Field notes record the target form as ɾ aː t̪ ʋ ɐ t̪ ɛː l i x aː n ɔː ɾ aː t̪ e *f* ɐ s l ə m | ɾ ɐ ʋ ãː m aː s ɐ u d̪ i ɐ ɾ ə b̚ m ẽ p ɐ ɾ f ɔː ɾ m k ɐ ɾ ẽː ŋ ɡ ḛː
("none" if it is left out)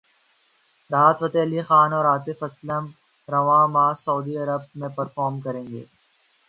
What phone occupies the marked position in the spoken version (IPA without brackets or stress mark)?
f